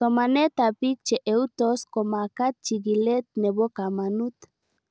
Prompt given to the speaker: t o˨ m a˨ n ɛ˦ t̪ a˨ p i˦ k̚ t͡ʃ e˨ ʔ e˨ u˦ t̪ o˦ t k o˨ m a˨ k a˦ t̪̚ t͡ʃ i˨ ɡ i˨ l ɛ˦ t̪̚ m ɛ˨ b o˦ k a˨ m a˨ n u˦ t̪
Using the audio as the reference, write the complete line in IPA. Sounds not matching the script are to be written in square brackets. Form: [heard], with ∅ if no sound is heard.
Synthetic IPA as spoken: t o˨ m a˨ n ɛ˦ t̪ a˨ p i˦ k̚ t͡ʃ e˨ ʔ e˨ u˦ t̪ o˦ [s] k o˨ m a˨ k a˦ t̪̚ t͡ʃ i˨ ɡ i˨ l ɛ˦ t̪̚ [n] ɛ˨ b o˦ k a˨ m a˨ n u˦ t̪